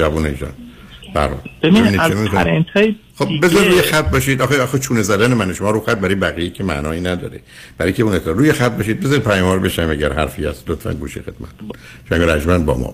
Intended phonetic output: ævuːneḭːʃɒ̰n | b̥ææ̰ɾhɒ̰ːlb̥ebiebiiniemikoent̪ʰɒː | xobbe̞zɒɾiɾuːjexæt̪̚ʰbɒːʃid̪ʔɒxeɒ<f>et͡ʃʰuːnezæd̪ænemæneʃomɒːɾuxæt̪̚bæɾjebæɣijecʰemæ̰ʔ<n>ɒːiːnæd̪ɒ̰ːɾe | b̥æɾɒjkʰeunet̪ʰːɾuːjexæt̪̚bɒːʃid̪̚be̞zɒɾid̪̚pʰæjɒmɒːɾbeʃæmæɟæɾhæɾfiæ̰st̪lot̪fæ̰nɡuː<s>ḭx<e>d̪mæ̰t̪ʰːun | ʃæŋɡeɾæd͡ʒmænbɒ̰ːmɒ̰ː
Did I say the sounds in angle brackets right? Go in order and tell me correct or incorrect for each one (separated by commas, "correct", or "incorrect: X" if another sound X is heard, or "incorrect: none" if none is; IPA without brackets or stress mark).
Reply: incorrect: x, correct, incorrect: ʃ, correct